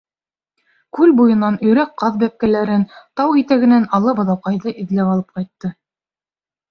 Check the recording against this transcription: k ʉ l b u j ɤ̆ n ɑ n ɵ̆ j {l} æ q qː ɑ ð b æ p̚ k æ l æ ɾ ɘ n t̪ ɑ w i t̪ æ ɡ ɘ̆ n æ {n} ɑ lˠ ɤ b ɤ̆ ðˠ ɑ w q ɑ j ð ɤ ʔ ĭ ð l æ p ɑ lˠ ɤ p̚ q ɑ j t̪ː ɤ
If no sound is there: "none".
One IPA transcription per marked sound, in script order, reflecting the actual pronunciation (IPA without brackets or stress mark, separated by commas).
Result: ɾ, n